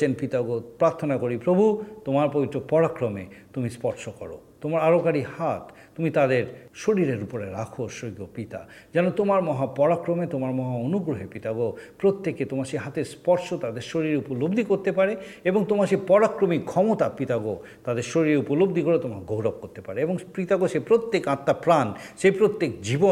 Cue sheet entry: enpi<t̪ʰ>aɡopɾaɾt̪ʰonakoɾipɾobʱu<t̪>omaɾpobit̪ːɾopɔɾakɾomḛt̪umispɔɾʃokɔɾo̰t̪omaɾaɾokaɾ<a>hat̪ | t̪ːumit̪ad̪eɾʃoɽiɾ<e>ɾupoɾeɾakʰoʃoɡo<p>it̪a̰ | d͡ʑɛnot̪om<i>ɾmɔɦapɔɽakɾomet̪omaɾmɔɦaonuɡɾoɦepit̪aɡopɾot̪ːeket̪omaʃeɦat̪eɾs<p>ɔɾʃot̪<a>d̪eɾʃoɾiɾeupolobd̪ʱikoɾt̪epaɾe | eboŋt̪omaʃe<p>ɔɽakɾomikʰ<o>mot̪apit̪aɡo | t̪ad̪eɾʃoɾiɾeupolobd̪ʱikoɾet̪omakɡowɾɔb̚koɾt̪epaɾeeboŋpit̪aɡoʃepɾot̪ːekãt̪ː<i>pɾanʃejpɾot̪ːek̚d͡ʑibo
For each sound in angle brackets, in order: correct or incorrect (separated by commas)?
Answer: incorrect, correct, incorrect, correct, correct, incorrect, correct, correct, correct, incorrect, incorrect